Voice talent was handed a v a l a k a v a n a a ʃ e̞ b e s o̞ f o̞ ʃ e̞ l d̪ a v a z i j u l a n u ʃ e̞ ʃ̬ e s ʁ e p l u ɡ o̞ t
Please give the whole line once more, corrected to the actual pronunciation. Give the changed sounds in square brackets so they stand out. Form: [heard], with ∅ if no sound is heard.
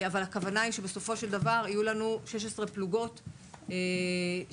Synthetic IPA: a v a l a k a v a n a [i] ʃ e̞ b e s o̞ f o̞ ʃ e̞ l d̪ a v a [ʁ] i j u l a n u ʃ e̞ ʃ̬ e s ʁ e p l u ɡ o̞ t